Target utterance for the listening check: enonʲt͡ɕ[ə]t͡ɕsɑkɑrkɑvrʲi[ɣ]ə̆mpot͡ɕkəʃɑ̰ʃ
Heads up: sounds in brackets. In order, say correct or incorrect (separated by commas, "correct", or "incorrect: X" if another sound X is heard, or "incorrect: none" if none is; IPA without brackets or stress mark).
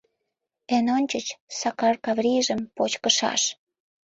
correct, incorrect: ʒ